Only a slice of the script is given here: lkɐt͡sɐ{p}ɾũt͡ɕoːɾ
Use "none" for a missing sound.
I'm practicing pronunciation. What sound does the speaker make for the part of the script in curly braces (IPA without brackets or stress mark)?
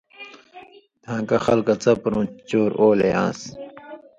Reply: p